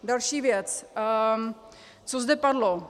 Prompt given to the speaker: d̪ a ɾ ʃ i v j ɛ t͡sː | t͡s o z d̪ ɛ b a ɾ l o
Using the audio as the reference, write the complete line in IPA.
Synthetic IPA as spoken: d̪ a l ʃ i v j ɛ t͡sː | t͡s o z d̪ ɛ p a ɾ l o